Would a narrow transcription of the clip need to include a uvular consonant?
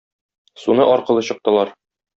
yes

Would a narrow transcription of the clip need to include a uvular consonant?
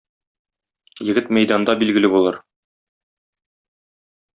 no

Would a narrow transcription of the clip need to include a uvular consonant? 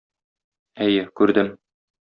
no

